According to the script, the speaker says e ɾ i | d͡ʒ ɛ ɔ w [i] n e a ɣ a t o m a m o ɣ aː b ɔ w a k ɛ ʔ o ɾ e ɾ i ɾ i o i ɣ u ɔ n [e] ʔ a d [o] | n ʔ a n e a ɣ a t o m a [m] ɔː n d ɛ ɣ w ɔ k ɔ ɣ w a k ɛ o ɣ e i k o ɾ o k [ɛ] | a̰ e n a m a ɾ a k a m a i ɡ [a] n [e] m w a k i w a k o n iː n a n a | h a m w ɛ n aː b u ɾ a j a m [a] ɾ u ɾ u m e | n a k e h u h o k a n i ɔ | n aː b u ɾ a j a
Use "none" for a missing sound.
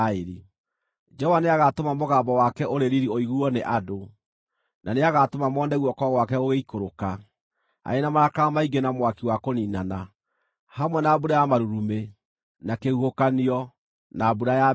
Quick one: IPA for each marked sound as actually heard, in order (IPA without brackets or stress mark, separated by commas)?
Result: a, e, o, m, a, e, a, a